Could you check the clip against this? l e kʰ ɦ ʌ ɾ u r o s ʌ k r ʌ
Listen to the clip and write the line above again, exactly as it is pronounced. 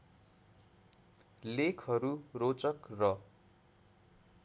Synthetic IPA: l e kʰ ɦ ʌ ɾ u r o t͡s ʌ k r ʌ